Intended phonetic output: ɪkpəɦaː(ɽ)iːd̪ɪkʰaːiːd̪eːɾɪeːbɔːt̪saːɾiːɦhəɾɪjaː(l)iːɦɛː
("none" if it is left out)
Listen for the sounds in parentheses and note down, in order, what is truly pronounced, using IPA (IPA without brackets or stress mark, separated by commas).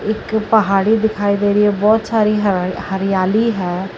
ɽ, l